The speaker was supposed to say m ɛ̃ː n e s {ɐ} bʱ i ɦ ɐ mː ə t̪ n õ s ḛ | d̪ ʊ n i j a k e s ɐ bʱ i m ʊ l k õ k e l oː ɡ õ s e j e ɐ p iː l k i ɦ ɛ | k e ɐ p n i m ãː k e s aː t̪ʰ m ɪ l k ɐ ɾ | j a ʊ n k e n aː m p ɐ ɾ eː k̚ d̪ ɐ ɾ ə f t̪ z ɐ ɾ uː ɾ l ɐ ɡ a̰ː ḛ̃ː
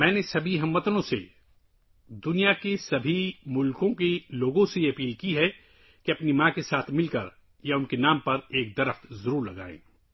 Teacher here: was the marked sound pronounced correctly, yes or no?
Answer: yes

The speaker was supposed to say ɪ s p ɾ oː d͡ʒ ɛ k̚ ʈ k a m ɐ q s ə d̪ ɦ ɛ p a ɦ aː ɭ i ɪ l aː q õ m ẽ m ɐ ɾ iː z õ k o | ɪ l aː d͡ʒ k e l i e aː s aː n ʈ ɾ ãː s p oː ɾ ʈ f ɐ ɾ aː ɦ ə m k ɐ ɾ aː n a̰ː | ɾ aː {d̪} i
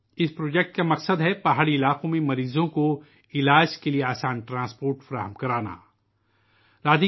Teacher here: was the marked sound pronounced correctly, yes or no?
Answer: yes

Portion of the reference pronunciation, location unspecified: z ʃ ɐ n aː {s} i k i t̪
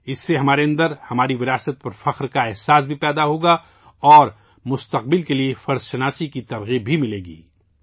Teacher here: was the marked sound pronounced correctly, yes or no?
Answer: yes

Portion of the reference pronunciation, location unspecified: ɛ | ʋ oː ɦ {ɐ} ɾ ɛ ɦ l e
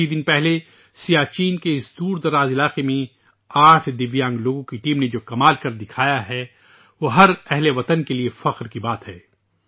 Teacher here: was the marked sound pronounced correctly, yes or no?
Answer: yes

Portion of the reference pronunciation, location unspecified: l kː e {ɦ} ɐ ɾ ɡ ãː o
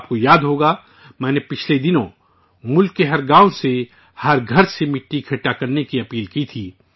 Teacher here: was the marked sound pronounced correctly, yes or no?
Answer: yes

